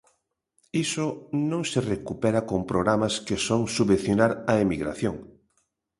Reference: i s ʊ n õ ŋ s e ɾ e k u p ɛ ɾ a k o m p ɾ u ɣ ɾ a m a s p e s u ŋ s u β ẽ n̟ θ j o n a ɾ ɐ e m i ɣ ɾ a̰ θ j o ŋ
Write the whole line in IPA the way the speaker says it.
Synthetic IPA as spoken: i s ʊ n õ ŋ s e r e k u p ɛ ɾ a k o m p ɾ o ɣ ɾ a m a s k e s o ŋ s u β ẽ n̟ θ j o n a ɾ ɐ e m i ɣ ɾ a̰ θ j o ŋ